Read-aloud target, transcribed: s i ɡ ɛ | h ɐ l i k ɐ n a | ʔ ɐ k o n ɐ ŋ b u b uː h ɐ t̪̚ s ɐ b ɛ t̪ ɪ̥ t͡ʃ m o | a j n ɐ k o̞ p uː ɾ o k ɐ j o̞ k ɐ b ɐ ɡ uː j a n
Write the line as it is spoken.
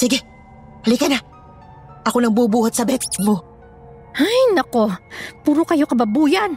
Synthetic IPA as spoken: s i ɡ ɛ | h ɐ l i k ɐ n a | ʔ ɐ k o n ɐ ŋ b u b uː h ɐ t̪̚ s ɐ b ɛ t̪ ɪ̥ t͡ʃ m o | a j n ɐ k o̞ p uː ɾ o k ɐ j o̞ k ɐ b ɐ b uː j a n